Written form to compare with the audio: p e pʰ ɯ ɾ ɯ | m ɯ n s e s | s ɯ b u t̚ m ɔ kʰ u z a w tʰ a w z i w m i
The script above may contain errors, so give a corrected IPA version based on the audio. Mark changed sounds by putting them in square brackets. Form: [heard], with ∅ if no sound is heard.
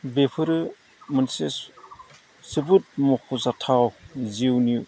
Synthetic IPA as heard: [b] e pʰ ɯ ɾ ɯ | m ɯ n s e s | s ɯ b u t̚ m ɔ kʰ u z a [∅] tʰ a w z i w [n] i